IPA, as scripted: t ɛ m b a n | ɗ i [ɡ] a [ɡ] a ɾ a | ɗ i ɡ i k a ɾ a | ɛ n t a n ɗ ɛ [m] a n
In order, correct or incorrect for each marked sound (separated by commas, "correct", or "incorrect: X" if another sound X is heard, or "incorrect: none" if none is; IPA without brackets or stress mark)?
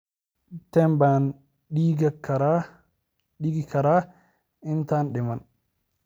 correct, incorrect: k, correct